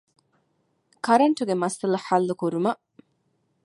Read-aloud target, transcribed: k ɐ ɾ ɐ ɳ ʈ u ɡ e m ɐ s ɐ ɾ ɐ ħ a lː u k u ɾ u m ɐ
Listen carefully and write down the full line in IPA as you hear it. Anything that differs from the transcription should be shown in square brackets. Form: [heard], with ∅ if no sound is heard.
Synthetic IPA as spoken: k ɐ ɾ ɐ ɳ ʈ u ɡ e m ɐ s ɐ [l] ɐ ħ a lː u k u ɾ u m ɐ